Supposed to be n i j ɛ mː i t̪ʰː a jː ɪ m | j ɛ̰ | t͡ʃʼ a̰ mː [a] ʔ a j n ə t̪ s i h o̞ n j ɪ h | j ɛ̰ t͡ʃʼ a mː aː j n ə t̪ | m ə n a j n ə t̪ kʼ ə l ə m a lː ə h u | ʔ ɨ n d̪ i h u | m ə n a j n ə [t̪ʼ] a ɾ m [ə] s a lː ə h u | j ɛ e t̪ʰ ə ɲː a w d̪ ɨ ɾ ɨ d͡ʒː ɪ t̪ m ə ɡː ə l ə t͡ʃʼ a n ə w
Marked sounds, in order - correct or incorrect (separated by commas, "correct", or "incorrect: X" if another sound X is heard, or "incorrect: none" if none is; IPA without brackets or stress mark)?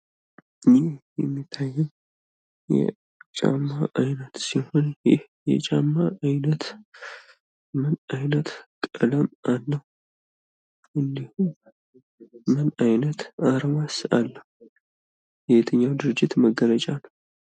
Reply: correct, incorrect: t̪, incorrect: a